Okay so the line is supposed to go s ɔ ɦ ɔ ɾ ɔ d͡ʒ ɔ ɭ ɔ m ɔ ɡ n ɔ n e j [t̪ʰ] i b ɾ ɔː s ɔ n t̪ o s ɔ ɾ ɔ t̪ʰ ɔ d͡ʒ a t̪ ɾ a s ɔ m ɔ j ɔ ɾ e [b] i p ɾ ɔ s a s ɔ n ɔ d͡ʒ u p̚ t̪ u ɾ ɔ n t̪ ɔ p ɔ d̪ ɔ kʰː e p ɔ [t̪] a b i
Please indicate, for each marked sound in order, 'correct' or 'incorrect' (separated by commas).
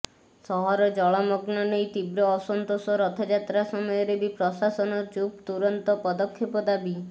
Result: incorrect, correct, incorrect